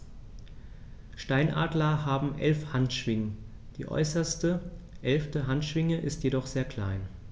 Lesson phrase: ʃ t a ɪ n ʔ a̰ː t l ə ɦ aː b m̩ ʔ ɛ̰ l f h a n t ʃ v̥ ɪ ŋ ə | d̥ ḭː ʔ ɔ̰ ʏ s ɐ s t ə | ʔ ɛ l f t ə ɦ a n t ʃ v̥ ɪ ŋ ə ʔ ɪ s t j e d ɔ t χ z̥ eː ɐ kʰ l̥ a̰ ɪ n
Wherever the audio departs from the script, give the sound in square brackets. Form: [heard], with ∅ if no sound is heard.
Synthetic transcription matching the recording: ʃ t a ɪ n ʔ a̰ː [d] l [ɐ] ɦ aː b m̩ ʔ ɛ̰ l f h a n t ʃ v̥ ɪ ŋ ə | d̥ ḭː ʔ ɔ̰ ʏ s ɐ s t ə | ʔ ɛ l f t ə ɦ a n t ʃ v̥ ɪ ŋ ə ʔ ɪ s t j e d ɔ [∅] χ z̥ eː ɐ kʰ l̥ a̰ ɪ n